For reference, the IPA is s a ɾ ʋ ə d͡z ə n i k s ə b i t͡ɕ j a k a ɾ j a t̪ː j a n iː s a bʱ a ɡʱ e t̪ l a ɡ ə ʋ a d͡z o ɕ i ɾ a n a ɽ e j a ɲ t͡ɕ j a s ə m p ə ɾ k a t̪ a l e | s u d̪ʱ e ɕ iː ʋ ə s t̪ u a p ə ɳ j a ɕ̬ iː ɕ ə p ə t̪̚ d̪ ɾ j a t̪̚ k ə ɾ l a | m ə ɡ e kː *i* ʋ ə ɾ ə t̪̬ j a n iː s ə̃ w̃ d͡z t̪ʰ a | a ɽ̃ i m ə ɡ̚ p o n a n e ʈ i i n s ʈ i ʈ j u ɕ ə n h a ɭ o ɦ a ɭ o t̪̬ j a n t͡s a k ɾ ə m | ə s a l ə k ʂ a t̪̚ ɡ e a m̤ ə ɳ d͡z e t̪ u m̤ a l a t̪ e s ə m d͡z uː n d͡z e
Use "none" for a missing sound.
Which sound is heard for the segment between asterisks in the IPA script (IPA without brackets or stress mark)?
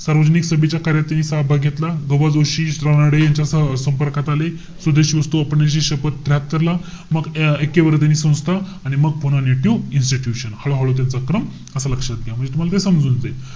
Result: e